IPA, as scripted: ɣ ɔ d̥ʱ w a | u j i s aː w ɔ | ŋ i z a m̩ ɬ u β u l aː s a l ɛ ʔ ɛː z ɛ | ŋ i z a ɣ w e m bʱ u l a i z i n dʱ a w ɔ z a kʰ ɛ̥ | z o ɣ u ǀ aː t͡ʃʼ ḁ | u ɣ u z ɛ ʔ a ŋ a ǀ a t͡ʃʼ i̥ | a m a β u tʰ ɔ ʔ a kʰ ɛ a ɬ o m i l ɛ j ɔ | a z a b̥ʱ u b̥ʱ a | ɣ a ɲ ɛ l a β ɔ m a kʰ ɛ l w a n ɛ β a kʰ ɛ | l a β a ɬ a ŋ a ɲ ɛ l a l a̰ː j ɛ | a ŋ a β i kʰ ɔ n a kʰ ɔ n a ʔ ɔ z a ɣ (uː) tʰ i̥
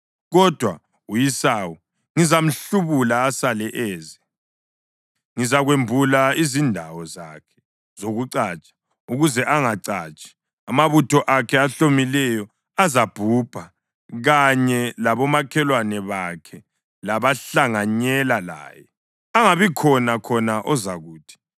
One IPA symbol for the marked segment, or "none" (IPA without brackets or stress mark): uː